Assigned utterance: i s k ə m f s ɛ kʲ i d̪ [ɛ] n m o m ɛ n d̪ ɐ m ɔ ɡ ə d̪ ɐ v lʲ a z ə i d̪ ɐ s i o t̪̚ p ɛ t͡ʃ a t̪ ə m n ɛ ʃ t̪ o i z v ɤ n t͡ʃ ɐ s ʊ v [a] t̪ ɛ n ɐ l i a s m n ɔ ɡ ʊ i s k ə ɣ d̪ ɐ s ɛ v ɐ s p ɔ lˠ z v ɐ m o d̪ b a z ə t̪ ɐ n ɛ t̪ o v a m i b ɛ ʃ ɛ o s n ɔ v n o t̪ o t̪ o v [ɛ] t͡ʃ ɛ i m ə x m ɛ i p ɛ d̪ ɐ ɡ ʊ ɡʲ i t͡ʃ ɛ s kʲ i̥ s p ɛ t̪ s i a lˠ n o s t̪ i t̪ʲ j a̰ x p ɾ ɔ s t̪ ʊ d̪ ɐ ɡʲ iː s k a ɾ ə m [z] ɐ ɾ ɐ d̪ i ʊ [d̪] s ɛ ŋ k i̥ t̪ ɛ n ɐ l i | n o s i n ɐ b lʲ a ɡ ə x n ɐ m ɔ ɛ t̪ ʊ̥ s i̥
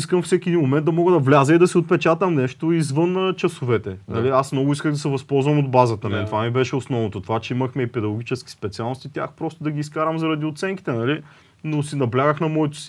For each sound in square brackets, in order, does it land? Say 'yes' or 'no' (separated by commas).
no, no, no, yes, no